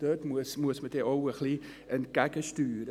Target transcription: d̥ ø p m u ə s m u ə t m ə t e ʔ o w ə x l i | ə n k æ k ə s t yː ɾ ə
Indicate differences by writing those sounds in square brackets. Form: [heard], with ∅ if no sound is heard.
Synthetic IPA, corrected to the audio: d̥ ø [t] m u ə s m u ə [s] m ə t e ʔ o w ə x l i | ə n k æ k ə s t yː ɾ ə